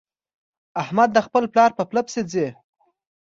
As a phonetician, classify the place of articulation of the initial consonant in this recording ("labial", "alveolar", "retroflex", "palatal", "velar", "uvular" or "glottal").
glottal